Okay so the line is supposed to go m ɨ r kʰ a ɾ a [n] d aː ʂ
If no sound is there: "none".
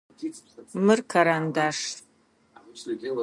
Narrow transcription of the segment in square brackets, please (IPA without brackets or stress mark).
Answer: n